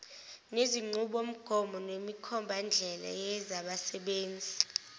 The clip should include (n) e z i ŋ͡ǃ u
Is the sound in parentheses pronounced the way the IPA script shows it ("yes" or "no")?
yes